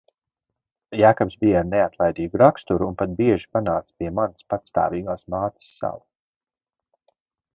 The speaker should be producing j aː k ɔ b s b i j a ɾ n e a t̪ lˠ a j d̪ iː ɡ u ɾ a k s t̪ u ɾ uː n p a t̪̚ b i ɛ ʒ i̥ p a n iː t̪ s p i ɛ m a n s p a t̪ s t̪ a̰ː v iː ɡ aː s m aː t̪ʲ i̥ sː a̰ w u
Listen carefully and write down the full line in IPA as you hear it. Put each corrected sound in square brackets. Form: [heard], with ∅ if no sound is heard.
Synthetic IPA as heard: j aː k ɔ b s b i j a ɾ n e a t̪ lˠ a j d̪ iː ɡ u ɾ a k s t̪ u ɾ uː n p a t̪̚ b i ɛ ʒ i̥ p a n [aː] t̪ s p i ɛ m a n s p a t̪ s t̪ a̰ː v iː ɡ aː s m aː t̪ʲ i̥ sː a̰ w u